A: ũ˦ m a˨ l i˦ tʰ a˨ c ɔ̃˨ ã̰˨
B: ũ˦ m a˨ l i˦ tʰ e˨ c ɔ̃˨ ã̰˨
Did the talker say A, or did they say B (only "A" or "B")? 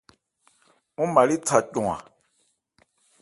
A